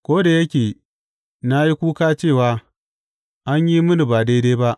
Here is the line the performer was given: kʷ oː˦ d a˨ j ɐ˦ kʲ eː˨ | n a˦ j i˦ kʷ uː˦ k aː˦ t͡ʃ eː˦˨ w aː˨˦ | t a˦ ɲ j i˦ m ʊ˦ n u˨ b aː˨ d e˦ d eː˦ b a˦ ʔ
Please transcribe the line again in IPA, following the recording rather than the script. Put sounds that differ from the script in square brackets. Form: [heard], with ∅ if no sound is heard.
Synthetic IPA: kʷ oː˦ d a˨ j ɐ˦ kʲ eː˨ | n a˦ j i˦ kʷ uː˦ k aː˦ t͡ʃ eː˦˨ w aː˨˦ | [ʔ] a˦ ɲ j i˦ m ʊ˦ n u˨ b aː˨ d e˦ d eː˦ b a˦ ʔ

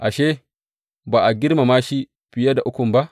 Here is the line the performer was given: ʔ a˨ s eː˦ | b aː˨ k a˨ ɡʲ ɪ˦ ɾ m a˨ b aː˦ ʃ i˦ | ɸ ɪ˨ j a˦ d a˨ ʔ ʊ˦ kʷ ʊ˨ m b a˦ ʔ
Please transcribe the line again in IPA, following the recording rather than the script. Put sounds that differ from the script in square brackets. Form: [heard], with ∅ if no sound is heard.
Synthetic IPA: ʔ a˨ [ʃ] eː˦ | b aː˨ [ʔ] a˨ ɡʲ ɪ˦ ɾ m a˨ [m] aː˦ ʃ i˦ | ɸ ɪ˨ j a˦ d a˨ ʔ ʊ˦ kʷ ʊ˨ m b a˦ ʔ

